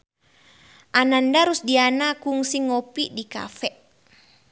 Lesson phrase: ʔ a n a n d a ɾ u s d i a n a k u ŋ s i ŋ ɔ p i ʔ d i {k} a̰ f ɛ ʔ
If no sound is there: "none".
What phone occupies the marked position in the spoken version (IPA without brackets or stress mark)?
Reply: k